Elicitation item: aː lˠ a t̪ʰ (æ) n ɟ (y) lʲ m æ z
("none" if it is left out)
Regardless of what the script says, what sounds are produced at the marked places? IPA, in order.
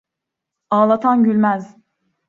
a, y

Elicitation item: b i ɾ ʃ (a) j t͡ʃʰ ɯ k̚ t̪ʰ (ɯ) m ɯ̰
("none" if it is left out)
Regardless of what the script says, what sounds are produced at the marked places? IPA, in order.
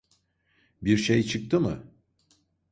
e, ɯ

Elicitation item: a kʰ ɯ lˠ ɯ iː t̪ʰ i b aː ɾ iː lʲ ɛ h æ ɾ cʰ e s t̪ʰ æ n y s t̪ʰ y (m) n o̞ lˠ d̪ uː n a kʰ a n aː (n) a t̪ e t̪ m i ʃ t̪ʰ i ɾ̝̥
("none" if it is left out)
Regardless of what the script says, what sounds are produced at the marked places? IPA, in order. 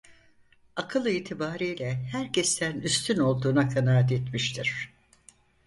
none, none

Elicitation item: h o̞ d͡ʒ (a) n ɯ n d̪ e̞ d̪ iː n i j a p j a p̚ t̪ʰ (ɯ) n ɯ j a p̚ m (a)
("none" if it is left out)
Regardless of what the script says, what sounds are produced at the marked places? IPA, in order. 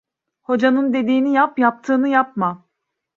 a, ɯː, a

